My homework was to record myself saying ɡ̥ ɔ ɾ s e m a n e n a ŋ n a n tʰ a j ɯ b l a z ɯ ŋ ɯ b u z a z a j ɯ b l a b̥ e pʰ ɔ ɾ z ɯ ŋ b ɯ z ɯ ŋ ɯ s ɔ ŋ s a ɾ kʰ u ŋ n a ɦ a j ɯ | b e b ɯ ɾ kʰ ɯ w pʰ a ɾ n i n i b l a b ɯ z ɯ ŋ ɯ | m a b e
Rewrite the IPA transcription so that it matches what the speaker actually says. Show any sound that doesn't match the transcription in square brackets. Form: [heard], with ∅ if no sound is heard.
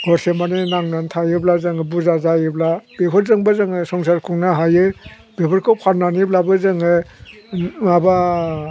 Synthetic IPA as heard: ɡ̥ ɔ ɾ s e m a n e n a ŋ n a n tʰ a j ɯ b l a z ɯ ŋ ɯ b u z a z a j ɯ b l a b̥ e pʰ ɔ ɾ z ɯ ŋ b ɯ z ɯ ŋ ɯ s ɔ ŋ s a ɾ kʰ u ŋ n a ɦ a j ɯ | b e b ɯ ɾ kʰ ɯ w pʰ a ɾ n [a] n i b l a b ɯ z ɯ ŋ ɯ | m a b [a]